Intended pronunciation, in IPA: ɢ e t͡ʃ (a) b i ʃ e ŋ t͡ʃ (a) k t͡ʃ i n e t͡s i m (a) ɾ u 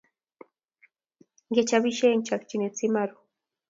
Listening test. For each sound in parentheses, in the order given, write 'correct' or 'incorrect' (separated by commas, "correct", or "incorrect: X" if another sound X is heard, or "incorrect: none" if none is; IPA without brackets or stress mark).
correct, correct, correct